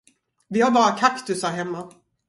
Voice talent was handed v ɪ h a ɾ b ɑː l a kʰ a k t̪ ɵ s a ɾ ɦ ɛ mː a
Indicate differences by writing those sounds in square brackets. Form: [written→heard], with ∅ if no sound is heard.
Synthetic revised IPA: v ɪ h a ɾ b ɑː [l→ɾ] a kʰ a k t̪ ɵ s a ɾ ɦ ɛ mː a